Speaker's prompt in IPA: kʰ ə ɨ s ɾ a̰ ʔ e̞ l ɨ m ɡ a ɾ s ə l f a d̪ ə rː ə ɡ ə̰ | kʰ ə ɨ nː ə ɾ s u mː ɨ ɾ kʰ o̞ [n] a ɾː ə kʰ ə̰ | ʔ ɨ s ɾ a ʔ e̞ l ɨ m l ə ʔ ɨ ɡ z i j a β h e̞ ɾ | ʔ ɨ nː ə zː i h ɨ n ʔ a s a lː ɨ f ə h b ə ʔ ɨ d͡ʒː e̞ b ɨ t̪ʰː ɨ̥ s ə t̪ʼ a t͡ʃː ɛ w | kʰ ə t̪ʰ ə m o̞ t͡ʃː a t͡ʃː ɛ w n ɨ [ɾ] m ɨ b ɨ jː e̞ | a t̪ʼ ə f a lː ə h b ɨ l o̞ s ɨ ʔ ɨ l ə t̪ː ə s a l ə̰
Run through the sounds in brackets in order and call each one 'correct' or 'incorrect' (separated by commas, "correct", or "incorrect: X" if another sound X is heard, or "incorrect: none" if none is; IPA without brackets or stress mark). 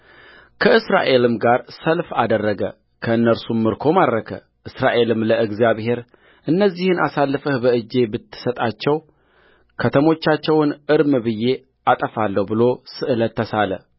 incorrect: m, correct